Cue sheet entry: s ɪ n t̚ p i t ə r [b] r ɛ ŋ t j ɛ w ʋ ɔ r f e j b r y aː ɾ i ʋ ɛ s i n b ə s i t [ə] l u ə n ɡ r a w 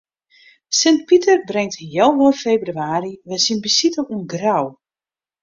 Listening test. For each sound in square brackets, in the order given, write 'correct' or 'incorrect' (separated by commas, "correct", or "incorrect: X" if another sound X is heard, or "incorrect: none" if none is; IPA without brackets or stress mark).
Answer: correct, correct